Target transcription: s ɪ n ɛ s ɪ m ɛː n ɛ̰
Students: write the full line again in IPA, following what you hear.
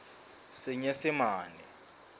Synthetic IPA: s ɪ ɲ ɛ s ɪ m aː n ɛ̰